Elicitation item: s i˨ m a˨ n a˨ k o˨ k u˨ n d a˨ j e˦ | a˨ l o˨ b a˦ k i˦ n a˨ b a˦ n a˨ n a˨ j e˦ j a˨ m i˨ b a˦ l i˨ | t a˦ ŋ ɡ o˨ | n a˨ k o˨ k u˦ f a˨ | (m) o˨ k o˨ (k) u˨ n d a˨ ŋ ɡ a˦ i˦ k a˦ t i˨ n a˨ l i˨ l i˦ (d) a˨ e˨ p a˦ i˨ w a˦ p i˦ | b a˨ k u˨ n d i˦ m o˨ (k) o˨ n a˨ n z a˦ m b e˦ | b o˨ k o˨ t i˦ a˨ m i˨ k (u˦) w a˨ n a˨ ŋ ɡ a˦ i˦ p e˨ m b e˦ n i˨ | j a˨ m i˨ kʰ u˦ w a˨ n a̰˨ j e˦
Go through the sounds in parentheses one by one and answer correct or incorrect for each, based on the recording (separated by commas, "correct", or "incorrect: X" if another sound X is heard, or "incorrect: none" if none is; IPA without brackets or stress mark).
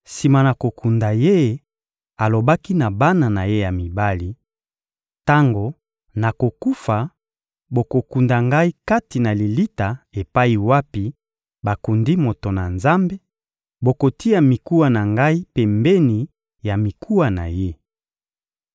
incorrect: b, correct, incorrect: t, incorrect: t, correct